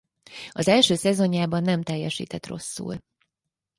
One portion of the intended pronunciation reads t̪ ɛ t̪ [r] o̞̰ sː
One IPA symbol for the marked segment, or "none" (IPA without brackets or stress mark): r